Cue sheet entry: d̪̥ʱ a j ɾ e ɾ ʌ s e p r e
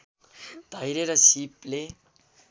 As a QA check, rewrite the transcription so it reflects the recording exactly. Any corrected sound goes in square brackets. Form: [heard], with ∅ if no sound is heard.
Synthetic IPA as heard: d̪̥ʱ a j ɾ e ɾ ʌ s [i] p [l] e